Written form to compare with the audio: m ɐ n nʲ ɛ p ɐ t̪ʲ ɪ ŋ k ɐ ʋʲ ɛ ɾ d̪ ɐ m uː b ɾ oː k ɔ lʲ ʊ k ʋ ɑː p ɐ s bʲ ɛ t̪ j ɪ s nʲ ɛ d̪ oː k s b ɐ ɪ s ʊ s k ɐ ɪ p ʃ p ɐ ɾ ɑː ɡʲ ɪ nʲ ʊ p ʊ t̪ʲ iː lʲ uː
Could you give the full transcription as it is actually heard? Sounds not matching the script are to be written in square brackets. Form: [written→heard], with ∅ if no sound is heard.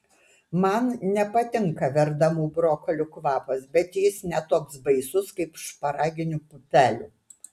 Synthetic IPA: m ɐ n nʲ ɛ p ɐ t̪ʲ ɪ ŋ k ɐ ʋʲ ɛ ɾ d̪ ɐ m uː b ɾ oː k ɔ lʲ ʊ k ʋ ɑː p ɐ s bʲ ɛ t̪ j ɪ s nʲ ɛ [d̪→t̪] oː k s b ɐ ɪ s ʊ s k ɐ ɪ p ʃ p ɐ ɾ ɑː ɡʲ ɪ nʲ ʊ p ʊ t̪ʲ [iː→æː] lʲ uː